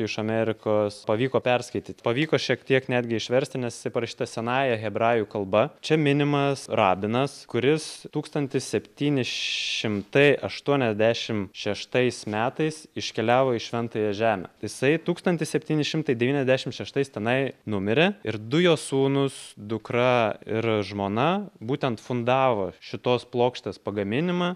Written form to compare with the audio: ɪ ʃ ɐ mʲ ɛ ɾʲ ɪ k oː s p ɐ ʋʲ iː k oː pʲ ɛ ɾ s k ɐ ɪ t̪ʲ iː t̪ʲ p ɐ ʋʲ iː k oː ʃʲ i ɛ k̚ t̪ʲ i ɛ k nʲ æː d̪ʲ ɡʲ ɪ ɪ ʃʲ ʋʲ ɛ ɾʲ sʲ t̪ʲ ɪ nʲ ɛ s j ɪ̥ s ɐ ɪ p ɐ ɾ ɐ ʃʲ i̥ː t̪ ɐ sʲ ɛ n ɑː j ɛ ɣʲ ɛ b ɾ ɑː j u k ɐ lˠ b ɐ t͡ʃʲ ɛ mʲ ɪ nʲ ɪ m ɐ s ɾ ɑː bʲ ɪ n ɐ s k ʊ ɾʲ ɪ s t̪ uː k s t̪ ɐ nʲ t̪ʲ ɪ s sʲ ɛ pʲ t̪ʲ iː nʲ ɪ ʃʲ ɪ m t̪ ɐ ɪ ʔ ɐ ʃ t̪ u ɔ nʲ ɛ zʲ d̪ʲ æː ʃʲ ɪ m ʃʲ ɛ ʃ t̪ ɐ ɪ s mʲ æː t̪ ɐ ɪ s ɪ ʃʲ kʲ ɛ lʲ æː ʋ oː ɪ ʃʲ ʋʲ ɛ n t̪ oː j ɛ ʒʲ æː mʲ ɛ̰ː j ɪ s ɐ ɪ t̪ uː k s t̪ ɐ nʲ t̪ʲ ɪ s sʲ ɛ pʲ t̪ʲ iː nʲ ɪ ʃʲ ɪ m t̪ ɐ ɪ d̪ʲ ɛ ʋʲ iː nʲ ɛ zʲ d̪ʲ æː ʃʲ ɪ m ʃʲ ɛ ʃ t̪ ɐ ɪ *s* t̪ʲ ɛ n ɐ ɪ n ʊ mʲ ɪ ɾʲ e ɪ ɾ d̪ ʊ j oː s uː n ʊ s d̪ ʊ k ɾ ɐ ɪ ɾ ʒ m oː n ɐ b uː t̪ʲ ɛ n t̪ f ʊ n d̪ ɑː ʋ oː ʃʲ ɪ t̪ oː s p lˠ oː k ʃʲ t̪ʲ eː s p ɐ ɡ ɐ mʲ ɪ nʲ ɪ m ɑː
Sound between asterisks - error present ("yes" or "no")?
no